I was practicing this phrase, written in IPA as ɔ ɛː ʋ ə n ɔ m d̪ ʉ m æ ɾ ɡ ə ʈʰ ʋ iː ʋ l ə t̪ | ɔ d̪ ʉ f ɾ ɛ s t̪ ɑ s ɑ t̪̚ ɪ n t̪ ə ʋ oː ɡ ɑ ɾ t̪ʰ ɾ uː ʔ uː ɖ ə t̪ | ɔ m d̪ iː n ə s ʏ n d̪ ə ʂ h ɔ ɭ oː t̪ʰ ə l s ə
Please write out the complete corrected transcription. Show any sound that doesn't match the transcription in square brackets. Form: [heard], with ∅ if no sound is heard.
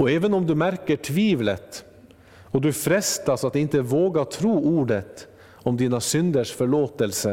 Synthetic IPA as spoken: ɔ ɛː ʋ ə n ɔ m d̪ ʉ m æ ɾ [k] ə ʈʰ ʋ iː ʋ l ə t̪ | ɔ d̪ ʉ f ɾ ɛ s t̪ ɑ s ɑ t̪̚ ɪ n t̪ ə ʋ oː ɡ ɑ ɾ t̪ʰ ɾ uː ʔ uː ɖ ə t̪ | ɔ m d̪ iː n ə s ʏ n d̪ ə ʂ [f] ɔ ɭ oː [t̪] ə l s ə